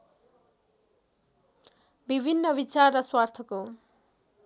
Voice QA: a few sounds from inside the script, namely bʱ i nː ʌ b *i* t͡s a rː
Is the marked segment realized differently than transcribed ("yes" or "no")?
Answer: no